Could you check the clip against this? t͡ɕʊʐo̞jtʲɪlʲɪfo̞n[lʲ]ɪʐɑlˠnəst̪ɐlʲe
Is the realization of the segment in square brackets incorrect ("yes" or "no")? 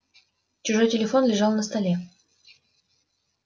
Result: no